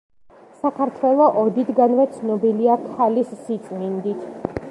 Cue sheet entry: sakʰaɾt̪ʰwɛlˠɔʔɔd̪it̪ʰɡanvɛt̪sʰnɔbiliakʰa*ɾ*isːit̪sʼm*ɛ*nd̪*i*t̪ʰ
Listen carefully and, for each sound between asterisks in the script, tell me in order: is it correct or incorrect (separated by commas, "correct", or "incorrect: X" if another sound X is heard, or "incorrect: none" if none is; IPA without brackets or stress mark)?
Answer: incorrect: l, incorrect: i, correct